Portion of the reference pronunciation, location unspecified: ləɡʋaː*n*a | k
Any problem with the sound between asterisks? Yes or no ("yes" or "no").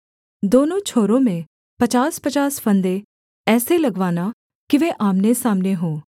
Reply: no